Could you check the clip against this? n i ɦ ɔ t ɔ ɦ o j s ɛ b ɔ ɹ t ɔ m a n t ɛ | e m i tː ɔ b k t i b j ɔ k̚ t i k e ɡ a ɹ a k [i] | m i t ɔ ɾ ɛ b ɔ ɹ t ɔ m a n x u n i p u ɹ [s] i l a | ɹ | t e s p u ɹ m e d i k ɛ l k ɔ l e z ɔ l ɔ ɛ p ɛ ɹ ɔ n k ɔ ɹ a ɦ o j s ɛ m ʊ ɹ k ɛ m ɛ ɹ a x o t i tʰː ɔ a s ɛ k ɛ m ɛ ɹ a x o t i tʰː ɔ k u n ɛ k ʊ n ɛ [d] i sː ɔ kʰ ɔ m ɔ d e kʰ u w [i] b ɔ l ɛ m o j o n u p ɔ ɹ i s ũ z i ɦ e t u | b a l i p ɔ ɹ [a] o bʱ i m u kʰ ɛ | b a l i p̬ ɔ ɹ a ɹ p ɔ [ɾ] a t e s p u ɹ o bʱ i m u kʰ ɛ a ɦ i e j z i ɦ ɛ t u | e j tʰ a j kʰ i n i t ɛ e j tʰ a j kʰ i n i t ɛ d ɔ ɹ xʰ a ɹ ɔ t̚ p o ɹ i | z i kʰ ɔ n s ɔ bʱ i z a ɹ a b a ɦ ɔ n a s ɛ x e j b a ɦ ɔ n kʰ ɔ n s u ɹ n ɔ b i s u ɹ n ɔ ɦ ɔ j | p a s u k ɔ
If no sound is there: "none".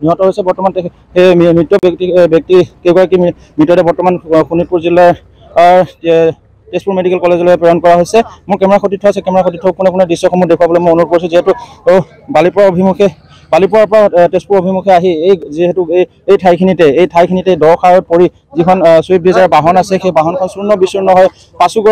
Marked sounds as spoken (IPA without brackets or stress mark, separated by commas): i, z, d, a, a, ɹ